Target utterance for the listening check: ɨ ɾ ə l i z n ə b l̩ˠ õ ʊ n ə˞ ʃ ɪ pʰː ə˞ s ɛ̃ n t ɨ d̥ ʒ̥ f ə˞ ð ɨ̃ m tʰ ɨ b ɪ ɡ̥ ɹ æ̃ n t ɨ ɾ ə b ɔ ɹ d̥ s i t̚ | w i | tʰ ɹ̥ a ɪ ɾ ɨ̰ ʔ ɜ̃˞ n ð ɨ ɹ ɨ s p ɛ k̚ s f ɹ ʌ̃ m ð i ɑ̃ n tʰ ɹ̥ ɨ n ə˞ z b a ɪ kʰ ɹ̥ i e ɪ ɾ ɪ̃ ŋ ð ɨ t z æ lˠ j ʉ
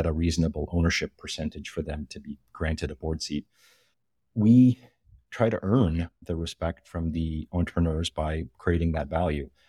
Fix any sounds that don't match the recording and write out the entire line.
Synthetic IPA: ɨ ɾ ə ɹ i z n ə b l̩ˠ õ ʊ n ə˞ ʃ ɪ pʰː ə˞ s ɛ̃ n t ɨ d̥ ʒ̥ f ə˞ ð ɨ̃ m tʰ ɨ b i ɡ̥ ɹ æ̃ n t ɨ ɾ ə b ɔ ɹ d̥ s i t̚ | w i | tʰ ɹ̥ a ɪ ɾ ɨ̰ ʔ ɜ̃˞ n ð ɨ ɹ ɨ s p ɛ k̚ t f ɹ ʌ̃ m ð i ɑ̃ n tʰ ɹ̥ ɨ n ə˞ z b a ɪ kʰ ɹ̥ i e ɪ ɾ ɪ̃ ŋ ð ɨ t v æ lˠ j ʉ